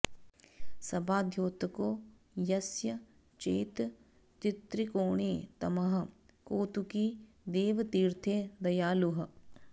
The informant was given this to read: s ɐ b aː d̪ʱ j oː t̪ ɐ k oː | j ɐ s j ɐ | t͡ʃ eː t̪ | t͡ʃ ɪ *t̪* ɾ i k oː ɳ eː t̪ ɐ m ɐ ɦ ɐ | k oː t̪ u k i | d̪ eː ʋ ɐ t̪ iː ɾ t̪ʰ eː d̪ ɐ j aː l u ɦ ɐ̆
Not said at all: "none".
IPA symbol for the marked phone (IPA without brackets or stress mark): t̪